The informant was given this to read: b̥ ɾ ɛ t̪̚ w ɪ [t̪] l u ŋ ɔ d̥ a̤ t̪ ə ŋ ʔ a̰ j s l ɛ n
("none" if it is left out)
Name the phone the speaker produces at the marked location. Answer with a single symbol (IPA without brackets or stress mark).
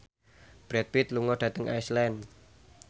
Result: t̪